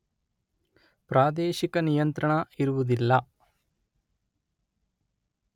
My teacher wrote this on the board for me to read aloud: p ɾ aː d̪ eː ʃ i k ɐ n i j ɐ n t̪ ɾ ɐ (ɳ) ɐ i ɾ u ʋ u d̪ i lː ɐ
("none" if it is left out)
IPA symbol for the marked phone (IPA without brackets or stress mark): ɳ